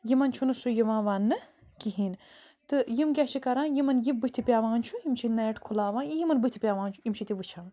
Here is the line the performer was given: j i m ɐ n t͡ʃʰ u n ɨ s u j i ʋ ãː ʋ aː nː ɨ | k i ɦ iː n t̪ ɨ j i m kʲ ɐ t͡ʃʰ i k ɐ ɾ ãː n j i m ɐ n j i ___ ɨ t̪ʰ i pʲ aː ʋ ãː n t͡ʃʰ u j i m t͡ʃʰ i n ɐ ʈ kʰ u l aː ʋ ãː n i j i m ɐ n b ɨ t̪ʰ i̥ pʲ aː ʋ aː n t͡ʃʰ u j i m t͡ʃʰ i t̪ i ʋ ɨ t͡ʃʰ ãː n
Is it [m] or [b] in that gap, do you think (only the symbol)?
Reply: b